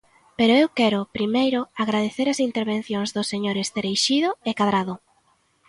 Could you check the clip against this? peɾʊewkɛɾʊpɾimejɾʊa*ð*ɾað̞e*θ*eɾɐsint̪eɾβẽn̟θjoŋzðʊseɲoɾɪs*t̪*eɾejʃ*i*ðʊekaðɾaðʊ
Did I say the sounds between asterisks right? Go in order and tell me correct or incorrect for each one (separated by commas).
incorrect, correct, correct, correct